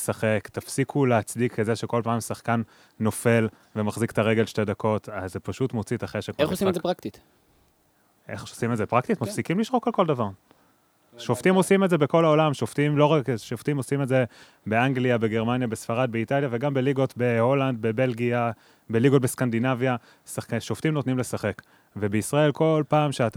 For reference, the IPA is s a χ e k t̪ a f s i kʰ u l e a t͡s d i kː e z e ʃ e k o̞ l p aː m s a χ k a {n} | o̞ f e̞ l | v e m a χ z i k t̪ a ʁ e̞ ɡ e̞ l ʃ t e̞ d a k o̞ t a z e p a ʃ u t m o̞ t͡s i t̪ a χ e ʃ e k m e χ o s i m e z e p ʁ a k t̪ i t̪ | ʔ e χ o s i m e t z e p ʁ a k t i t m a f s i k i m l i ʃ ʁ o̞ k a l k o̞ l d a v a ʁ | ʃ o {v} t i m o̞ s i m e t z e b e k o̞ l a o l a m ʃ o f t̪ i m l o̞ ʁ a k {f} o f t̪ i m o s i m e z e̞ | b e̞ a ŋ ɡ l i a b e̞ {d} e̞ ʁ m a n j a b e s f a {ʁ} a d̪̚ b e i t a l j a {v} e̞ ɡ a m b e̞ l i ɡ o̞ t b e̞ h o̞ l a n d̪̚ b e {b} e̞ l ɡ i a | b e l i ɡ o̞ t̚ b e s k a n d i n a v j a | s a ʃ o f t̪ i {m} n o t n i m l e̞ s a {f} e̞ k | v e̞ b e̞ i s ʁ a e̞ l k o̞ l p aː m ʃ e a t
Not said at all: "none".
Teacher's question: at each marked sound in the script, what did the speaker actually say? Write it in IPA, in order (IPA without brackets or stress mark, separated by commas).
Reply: nː, f, ʃ, ɡ, ʁ, v, b, m, χ